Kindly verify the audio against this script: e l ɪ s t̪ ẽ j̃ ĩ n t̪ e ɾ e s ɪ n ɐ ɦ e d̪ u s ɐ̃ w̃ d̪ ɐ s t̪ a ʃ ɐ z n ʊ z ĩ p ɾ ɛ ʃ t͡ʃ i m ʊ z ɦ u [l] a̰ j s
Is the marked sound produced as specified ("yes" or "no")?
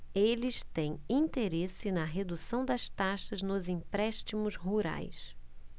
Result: no